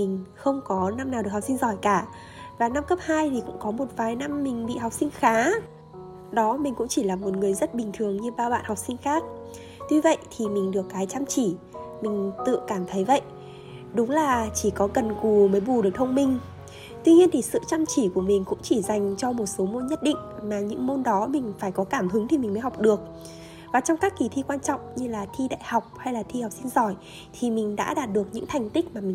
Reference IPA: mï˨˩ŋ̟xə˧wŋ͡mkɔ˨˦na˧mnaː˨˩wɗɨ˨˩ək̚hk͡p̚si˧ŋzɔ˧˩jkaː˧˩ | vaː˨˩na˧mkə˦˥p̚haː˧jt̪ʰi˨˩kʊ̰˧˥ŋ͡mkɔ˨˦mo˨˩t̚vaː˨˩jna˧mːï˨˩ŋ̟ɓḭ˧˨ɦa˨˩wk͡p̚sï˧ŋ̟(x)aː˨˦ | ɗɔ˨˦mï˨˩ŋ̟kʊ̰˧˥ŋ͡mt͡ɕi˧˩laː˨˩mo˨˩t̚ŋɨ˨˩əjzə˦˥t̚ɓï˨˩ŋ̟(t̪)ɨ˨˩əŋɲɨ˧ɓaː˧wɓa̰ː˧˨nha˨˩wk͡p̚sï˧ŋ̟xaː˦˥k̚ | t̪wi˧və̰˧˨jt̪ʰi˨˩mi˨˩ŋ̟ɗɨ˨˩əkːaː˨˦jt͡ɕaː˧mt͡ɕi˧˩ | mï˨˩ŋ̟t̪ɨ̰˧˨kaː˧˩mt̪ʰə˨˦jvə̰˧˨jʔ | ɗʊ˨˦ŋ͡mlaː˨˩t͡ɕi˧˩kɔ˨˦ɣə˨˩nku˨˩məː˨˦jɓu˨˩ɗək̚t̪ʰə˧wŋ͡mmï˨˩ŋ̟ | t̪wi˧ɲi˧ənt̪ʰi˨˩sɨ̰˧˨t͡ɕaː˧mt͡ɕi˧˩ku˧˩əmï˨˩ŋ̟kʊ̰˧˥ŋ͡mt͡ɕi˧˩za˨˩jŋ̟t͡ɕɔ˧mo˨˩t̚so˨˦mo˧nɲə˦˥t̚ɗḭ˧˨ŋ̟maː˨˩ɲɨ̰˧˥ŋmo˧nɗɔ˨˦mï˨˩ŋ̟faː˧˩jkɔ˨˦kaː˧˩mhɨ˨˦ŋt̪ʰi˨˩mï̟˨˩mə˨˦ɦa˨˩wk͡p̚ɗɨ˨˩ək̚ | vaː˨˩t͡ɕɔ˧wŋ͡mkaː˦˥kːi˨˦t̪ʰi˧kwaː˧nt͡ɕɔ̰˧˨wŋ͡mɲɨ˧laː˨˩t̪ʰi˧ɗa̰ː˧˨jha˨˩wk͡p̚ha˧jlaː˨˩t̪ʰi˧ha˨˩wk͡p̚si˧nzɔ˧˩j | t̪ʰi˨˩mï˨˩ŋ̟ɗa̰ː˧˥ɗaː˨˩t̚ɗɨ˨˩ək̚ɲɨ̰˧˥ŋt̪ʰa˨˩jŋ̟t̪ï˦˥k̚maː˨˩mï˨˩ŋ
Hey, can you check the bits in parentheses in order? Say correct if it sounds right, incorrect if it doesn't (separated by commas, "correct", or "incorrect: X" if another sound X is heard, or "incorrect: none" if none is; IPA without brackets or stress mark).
correct, incorrect: t̪ʰ